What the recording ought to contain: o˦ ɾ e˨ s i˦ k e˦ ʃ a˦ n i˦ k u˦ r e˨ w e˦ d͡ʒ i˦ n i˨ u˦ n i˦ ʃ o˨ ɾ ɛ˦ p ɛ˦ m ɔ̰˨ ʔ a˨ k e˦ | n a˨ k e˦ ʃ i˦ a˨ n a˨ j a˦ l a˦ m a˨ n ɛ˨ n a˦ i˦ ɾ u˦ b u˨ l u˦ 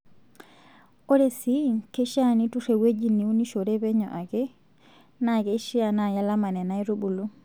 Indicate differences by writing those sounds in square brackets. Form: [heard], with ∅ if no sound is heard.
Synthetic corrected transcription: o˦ ɾ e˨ s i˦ k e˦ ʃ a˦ n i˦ [t] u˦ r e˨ w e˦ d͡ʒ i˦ n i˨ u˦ n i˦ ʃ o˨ ɾ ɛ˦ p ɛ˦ [ɲ] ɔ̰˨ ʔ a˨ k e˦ | n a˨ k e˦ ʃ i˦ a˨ n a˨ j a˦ l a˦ m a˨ n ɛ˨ n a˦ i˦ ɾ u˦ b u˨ l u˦